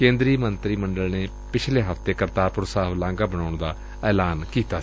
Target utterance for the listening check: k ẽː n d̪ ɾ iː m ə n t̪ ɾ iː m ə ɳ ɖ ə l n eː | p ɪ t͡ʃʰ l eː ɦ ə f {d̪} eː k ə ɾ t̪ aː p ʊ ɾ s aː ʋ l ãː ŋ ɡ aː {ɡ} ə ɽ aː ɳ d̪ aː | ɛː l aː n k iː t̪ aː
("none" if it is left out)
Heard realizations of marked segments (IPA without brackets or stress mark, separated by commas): t̪, b